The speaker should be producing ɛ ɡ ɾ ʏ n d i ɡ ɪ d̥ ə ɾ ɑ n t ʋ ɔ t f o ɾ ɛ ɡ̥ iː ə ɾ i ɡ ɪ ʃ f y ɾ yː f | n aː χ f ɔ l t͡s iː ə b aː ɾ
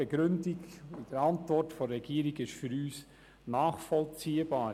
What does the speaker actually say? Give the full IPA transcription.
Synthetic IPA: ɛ ɡ ɾ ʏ n d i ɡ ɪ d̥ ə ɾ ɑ n t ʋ ɔ t f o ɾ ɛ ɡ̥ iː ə ɾ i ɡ ɪ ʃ f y ɾ yː s | n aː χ f ɔ l t͡s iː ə b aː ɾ